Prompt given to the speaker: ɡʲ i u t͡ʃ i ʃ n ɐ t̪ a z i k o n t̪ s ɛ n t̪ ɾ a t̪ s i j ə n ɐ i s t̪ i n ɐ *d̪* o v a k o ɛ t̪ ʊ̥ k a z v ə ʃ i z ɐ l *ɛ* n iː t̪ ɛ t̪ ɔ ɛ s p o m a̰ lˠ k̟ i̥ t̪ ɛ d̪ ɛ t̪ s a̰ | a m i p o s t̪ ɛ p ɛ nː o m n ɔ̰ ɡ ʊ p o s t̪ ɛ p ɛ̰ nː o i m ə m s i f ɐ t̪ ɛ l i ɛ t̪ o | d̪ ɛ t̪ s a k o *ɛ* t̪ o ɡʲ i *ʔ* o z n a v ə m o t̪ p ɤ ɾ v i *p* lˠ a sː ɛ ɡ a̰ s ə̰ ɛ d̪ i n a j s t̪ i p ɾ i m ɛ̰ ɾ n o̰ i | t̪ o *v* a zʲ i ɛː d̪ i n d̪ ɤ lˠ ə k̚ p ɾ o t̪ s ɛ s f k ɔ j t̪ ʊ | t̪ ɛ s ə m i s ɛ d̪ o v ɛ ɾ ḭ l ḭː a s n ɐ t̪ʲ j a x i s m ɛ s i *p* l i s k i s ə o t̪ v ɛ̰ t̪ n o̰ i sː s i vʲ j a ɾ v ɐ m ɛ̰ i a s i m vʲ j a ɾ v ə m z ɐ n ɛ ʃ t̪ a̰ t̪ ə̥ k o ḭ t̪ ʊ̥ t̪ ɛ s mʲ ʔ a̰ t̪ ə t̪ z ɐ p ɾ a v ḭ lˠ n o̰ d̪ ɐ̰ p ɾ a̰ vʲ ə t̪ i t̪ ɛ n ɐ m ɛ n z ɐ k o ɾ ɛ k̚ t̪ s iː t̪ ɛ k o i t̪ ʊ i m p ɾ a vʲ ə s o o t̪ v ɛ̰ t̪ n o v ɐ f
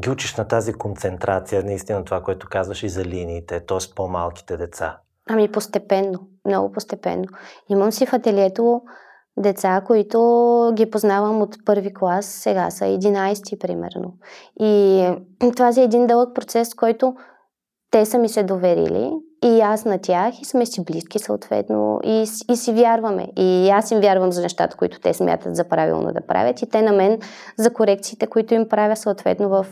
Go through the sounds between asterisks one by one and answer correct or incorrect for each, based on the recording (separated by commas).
incorrect, incorrect, incorrect, incorrect, incorrect, correct, incorrect